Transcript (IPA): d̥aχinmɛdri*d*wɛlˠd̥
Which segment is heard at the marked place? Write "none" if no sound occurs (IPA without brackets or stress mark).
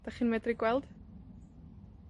ɡ